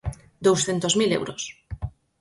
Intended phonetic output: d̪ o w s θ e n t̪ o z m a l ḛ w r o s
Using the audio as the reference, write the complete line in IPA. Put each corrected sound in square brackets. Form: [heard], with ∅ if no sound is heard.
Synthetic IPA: d̪ o w s θ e n t̪ o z m [i] l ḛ w [ɾ] o s

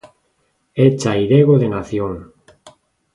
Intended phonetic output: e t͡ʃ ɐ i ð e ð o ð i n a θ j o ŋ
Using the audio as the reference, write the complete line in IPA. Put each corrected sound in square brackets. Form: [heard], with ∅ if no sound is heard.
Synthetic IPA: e t͡ʃ [a] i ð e [ɣ] o ð [e] n a θ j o ŋ

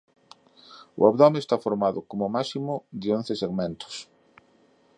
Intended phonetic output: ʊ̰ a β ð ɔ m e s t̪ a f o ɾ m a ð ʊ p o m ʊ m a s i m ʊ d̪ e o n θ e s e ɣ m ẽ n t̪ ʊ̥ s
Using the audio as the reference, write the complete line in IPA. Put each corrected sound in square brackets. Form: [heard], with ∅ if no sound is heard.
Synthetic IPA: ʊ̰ a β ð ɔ m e s t̪ a f o ɾ m a ð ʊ [k] o m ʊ m a s i m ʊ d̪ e o n θ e s e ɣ m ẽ n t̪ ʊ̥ s

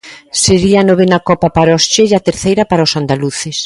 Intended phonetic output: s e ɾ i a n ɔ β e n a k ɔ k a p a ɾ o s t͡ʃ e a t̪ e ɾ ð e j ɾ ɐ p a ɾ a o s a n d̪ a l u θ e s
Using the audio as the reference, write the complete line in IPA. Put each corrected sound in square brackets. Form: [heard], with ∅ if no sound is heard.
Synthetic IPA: s e ɾ i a n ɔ β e n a k ɔ [p] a p a ɾ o s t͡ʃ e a t̪ e ɾ [θ] e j ɾ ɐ p a ɾ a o s a n d̪ a l u θ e s

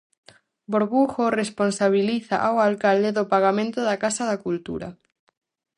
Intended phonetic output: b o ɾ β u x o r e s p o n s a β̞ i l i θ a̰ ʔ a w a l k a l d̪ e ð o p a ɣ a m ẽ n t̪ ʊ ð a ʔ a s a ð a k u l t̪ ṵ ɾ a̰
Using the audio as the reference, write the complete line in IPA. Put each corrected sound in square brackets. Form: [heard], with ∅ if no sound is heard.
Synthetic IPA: b o ɾ β u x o r e s p o n s a β̞ i l i θ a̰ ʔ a w a l k a l d̪ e ð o p a ɣ a m ẽ n t̪ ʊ ð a [k] a s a ð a k u l t̪ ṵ ɾ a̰

